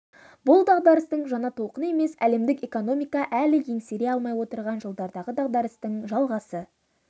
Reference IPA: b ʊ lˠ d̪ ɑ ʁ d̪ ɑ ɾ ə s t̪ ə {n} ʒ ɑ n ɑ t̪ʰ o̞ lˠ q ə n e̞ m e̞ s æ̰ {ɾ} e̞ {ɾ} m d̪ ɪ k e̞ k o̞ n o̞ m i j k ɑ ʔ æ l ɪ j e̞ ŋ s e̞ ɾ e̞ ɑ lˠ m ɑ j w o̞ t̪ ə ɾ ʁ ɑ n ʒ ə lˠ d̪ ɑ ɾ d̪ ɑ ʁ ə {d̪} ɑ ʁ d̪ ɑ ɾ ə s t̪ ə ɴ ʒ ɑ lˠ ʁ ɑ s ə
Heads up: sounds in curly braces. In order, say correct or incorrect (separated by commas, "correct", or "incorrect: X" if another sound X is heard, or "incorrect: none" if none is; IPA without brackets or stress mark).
incorrect: ɴ, incorrect: l, incorrect: none, correct